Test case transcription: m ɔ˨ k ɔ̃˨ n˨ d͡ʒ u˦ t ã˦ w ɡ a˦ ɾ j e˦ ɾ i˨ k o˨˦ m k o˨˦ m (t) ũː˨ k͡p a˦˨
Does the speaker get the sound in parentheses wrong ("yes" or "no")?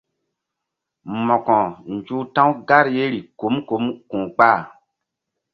yes